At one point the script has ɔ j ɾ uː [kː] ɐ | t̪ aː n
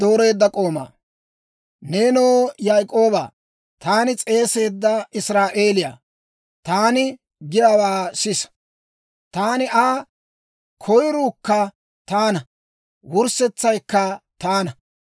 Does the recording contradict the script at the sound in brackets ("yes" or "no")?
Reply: no